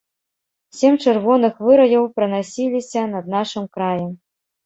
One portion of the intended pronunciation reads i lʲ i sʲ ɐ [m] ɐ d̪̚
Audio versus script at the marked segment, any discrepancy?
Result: yes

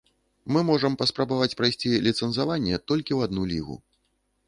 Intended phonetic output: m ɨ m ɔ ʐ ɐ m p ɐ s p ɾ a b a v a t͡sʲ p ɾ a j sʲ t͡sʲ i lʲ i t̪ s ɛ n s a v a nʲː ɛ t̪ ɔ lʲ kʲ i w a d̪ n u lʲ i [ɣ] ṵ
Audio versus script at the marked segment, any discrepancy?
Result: no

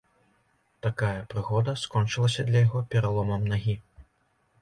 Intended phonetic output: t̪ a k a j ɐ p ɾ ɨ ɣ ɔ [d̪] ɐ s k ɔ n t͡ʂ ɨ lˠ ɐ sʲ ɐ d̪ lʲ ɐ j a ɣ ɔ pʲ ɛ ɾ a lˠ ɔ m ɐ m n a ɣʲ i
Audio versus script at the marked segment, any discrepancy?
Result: no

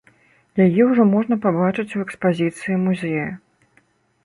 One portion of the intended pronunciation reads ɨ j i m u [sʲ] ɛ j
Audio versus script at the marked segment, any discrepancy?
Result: yes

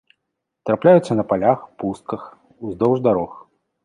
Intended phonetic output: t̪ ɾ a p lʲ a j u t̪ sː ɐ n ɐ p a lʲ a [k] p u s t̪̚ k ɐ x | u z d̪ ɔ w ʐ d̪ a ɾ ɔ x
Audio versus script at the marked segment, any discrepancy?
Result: yes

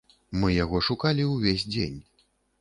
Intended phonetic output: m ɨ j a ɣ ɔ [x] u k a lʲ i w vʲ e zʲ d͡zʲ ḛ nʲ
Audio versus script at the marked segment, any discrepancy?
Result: yes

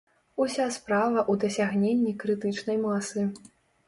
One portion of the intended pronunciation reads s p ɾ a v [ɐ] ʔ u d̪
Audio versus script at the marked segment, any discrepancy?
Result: no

